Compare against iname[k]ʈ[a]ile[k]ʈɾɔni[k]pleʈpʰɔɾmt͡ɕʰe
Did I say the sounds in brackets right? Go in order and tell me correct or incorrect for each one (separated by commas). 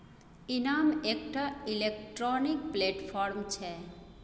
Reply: correct, correct, correct, correct